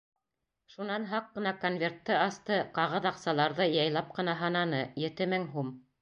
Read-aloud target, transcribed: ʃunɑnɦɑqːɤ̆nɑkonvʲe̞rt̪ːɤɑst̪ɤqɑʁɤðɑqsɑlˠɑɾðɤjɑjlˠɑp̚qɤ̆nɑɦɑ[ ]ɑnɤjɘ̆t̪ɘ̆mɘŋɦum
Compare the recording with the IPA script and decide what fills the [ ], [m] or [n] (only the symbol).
n